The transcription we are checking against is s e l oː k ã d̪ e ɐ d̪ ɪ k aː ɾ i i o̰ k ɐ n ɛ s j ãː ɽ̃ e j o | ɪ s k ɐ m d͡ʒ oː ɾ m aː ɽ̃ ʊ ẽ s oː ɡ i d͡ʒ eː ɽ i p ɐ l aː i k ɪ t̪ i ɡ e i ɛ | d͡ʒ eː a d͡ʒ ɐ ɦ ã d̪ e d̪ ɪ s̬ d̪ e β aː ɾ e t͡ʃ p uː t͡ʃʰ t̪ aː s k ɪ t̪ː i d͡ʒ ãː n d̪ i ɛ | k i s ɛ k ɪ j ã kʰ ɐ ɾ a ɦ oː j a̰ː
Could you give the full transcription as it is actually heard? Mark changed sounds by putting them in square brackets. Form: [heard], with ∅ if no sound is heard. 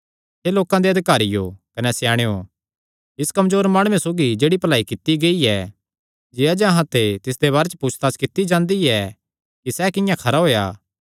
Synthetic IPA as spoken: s e l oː k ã d̪ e ɐ d̪ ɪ k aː ɾ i [j] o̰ k ɐ n ɛ s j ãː ɽ̃ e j o | ɪ s k ɐ m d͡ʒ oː ɾ m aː ɽ̃ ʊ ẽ s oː ɡ i d͡ʒ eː ɽ i p ɐ l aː i k ɪ t̪ i ɡ e i ɛ | d͡ʒ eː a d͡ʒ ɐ ɦ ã [t̪] e [t̪] ɪ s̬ d̪ e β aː ɾ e t͡ʃ p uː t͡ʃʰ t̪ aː s k ɪ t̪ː i d͡ʒ ãː n d̪ i ɛ | k i s ɛ k ɪ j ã kʰ ɐ ɾ a ɦ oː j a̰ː